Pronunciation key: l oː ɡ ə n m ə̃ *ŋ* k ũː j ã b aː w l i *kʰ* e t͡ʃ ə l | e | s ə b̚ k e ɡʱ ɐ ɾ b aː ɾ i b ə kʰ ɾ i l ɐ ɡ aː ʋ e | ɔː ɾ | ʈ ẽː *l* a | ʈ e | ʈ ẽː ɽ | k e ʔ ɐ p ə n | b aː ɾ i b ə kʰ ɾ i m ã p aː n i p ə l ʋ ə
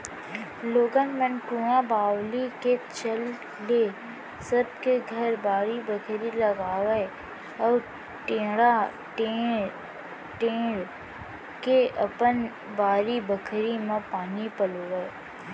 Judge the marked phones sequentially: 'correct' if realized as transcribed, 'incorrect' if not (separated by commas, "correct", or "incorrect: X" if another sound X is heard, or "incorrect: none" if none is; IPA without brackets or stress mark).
incorrect: n, incorrect: k, incorrect: ɽ